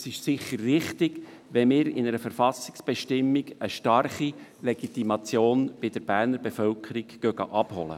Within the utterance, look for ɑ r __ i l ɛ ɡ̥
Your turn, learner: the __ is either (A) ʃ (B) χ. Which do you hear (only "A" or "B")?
B